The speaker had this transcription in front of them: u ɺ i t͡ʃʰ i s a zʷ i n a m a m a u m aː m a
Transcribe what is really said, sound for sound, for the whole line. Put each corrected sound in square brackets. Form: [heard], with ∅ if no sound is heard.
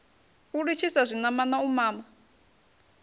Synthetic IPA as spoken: u ɺ i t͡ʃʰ i s a zʷ i n a m a [n] a u m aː m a